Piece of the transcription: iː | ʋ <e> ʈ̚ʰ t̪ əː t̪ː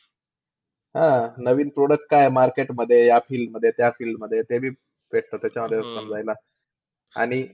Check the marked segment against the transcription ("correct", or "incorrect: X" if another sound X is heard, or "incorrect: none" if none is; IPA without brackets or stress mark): correct